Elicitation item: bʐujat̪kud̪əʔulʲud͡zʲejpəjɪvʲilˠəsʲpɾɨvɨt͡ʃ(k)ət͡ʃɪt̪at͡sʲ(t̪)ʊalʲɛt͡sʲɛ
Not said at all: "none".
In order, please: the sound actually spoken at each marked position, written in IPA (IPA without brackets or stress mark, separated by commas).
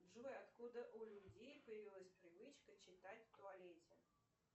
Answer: k, t̪